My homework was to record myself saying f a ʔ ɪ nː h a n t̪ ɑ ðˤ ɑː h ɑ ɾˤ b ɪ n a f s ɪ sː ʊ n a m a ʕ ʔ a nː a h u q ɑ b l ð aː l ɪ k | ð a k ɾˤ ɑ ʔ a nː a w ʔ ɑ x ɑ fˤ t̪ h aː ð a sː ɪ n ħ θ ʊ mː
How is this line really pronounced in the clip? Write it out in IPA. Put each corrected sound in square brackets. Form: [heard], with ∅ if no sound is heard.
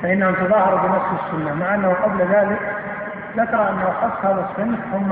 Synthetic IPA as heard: f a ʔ ɪ nː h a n t̪ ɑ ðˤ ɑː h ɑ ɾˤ b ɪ n a f s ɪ sː ʊ [nː] a m a ʕ ʔ a nː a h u q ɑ b l ð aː l ɪ k | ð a k ɾˤ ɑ ʔ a nː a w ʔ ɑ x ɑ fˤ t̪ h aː ð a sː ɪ n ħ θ ʊ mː